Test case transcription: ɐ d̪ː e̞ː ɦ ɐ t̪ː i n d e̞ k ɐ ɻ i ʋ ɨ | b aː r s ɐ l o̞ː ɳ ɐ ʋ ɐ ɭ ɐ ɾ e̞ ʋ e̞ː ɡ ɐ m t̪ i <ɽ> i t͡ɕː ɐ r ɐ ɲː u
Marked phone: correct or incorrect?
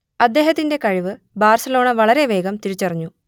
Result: incorrect